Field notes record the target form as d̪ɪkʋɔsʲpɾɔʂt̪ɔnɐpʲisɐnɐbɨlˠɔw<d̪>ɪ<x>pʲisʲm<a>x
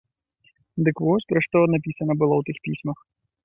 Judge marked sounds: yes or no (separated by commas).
no, yes, no